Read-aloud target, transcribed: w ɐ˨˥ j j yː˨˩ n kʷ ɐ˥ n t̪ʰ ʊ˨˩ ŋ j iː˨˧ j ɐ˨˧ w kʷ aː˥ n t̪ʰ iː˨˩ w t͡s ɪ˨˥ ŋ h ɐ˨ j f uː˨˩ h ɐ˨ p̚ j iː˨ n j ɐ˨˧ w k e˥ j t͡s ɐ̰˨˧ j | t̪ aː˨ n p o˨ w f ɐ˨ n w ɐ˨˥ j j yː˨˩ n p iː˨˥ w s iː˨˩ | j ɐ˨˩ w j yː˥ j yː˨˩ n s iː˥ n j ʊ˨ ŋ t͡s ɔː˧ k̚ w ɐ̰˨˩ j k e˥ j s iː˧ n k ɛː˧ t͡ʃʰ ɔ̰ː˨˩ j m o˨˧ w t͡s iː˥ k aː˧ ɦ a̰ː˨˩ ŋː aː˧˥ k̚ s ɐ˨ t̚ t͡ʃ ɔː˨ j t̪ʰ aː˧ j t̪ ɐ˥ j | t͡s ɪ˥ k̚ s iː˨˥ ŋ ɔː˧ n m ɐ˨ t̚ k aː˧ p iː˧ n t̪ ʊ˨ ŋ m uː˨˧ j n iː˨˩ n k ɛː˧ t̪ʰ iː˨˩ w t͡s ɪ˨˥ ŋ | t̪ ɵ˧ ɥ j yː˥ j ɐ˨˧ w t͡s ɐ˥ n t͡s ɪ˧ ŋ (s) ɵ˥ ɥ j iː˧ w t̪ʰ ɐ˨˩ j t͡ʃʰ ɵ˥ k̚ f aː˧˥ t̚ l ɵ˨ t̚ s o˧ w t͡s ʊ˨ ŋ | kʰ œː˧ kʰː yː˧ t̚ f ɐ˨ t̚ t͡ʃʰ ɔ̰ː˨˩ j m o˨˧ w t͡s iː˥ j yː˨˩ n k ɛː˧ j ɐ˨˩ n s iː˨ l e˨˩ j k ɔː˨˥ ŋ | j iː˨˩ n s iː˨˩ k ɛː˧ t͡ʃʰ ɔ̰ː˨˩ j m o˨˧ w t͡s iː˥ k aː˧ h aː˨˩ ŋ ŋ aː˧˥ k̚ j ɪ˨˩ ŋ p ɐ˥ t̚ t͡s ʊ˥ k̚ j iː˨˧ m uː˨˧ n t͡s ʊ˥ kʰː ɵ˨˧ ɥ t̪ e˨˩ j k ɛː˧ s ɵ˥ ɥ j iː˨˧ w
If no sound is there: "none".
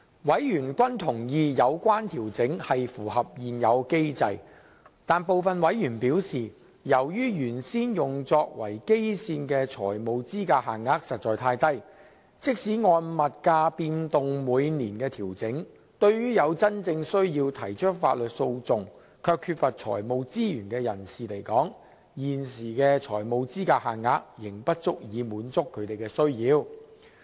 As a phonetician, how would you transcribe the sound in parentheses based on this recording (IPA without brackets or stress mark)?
s